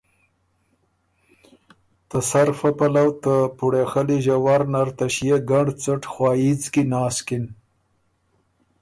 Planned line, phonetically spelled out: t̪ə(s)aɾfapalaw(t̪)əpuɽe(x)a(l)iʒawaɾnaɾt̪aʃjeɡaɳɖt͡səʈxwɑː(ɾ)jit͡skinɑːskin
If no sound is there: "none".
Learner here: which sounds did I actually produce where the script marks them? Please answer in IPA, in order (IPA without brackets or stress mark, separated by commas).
s, t̪, x, l, none